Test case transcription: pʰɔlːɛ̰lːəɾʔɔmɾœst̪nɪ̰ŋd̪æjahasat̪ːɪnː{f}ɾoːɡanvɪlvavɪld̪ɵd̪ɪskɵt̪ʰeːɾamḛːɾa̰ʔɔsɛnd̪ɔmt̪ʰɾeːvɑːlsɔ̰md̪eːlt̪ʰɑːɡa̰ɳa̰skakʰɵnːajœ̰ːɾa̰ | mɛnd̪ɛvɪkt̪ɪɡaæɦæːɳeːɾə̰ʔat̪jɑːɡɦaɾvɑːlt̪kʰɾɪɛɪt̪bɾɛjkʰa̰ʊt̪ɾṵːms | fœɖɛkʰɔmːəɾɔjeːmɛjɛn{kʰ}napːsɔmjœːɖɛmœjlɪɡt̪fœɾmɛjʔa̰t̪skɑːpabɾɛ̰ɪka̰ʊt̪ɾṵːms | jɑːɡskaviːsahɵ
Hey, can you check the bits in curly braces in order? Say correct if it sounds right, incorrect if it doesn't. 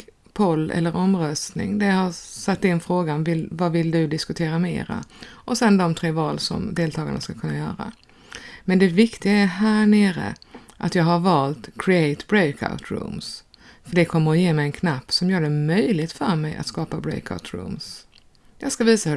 correct, correct

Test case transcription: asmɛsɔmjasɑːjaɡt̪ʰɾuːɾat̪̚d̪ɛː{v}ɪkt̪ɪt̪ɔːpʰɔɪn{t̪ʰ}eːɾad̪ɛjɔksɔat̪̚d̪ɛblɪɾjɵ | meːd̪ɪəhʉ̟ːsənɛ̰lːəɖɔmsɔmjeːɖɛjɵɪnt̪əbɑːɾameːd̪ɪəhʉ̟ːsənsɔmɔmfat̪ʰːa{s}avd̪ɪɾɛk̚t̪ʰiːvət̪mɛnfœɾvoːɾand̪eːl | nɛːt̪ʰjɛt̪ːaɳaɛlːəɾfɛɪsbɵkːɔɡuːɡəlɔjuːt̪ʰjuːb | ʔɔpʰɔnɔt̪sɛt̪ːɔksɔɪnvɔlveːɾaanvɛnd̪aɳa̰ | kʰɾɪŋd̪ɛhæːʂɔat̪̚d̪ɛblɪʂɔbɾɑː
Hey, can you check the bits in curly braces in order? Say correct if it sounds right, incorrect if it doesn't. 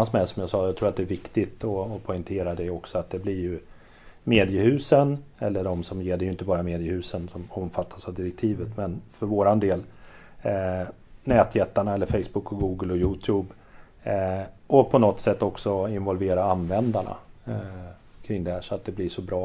correct, correct, correct

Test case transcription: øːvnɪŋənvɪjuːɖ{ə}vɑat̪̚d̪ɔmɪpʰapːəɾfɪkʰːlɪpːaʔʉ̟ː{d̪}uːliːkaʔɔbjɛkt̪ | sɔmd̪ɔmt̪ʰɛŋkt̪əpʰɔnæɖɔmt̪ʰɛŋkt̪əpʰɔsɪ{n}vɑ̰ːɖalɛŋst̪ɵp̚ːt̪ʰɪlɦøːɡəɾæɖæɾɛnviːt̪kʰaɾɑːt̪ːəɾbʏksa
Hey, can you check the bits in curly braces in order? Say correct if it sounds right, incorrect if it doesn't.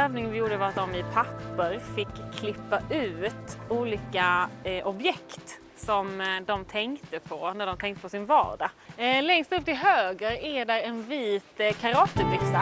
correct, incorrect: t̪, correct

